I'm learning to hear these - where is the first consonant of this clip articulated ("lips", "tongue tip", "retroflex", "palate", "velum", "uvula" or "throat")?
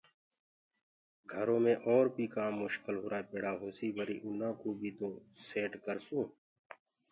velum